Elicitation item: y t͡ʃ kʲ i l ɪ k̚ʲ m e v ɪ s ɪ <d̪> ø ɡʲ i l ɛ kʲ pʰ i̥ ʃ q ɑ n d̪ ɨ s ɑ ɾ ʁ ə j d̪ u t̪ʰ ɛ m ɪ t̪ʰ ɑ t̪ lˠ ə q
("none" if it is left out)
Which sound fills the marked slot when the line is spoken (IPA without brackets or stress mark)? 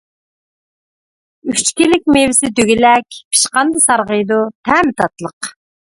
d̪